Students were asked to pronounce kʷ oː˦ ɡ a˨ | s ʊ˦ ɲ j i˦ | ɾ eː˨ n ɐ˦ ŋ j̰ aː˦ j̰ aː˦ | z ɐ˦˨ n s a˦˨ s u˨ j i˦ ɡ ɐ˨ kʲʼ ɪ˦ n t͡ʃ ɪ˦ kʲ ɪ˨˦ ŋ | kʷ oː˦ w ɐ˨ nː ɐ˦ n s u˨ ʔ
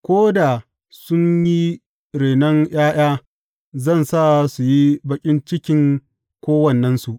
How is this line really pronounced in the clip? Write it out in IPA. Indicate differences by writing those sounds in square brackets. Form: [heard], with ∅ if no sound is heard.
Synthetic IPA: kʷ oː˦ [d] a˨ | s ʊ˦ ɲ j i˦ | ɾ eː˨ n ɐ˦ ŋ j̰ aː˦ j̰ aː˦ | z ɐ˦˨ n s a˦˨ s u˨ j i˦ [b] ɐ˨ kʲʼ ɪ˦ n t͡ʃ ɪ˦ kʲ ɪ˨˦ ŋ | kʷ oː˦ w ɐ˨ nː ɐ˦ n s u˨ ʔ